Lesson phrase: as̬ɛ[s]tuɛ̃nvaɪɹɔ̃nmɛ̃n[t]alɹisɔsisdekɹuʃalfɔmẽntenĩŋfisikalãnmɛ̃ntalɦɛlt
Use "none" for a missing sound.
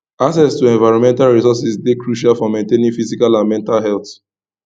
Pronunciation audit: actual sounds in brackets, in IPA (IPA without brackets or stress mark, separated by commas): s, t